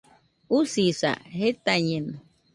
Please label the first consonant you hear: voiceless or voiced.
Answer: voiceless